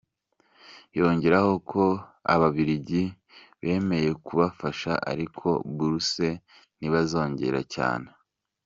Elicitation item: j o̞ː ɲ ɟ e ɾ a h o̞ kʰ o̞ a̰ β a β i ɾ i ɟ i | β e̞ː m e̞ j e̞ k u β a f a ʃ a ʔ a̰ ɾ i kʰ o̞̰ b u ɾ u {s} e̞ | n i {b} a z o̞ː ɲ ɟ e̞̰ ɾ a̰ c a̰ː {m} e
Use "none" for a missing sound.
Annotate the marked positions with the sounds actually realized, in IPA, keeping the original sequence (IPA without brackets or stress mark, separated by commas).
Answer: s, β, n